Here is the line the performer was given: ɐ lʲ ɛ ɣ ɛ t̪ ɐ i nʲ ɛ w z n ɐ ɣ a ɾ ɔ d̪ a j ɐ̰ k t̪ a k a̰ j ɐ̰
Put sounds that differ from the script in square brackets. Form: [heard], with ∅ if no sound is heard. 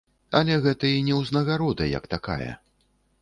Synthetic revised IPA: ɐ lʲ ɛ ɣ ɛ t̪ ɐ i nʲ ɛ w z n ɐ ɣ a ɾ ɔ d̪ [ɐ] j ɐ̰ k t̪ a k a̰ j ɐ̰

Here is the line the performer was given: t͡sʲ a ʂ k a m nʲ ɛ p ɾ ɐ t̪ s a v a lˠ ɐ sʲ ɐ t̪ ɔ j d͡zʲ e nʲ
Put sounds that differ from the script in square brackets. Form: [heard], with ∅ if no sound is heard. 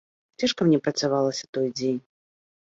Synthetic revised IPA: t͡sʲ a ʂ k [ɐ] m nʲ ɛ p ɾ ɐ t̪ s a v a lˠ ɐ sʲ ɐ t̪ ɔ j d͡zʲ e nʲ

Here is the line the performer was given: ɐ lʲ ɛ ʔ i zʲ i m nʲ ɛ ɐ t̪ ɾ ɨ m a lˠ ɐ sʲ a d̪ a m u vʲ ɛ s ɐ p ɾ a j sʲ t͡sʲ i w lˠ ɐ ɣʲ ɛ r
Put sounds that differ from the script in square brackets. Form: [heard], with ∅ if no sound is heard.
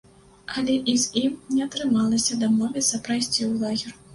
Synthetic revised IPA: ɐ lʲ ɛ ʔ i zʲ i m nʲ ɛ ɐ t̪ ɾ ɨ m a lˠ ɐ sʲ [ɐ] d̪ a m [ɔ] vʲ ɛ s ɐ p ɾ a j sʲ t͡sʲ i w lˠ [a] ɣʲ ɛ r

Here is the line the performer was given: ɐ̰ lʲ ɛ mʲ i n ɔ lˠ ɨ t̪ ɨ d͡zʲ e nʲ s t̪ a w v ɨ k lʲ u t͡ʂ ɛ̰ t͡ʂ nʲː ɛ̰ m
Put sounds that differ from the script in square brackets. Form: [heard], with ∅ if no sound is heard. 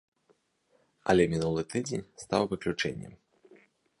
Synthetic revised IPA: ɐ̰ lʲ ɛ mʲ i n [u] lˠ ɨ t̪ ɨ d͡zʲ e nʲ s t̪ a w v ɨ k lʲ u t͡ʂ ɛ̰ [∅] nʲː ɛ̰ m

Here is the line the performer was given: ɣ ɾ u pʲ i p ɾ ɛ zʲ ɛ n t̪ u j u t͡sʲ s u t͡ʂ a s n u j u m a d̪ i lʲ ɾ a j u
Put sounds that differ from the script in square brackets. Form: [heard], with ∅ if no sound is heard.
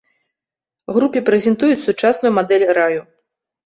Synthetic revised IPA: ɣ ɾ u pʲ i p ɾ ɛ zʲ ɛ n t̪ u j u t͡sʲ s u t͡ʂ a s n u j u m a d̪ [ɛ] lʲ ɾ a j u

